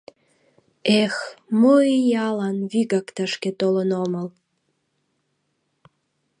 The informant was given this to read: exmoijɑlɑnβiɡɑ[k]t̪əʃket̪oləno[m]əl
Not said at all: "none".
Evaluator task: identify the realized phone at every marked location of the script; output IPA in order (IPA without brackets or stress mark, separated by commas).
k, m